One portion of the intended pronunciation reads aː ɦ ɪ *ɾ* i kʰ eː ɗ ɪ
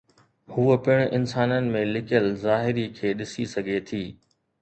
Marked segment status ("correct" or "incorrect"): correct